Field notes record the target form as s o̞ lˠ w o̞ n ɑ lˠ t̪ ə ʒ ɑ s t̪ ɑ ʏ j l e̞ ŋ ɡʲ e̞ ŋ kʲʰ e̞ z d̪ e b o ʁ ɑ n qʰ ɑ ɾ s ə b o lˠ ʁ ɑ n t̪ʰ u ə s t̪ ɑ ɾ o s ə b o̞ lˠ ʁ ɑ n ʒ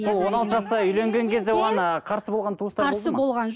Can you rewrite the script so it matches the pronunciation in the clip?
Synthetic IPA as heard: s o̞ lˠ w o̞ n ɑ lˠ t̪ ə ʒ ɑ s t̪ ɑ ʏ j l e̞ ŋ ɡʲ e̞ ŋ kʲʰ e̞ z d̪ e w o ʁ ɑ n qʰ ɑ ɾ s ə b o lˠ ʁ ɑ n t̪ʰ u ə s t̪ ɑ ɾ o s ə b o̞ lˠ ʁ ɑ n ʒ